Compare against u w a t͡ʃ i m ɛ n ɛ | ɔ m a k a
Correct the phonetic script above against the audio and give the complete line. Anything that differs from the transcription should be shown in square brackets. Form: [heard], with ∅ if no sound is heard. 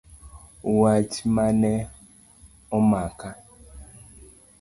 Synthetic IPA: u w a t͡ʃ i m [a] n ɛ | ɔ m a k a